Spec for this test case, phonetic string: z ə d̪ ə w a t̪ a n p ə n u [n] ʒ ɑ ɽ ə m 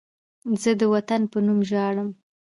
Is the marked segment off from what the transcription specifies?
yes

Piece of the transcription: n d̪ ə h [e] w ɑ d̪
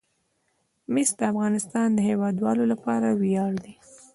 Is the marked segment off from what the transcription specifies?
no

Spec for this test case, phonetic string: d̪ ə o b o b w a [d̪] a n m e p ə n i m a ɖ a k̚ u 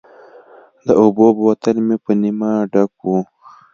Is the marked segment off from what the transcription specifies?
yes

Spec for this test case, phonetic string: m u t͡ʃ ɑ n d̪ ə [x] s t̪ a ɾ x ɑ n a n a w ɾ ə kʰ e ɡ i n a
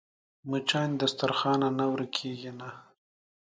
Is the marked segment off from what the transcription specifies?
yes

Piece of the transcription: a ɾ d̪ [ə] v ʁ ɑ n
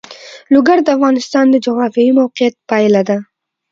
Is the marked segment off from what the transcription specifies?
yes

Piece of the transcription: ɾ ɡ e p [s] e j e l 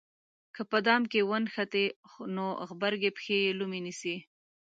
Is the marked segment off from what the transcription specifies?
yes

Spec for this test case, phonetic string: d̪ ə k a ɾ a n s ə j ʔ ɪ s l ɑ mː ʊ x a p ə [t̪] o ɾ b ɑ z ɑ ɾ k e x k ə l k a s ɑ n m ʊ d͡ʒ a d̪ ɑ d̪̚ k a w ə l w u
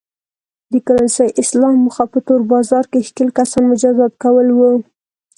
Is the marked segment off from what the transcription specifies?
no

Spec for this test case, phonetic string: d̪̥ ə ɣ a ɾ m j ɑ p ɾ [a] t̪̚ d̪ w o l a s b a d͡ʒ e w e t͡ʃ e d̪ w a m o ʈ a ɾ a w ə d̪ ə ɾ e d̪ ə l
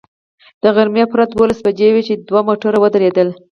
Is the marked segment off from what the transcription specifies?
no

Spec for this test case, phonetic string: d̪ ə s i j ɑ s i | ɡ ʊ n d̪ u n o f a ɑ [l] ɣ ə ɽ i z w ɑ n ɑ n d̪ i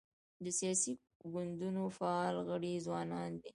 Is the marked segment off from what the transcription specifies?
no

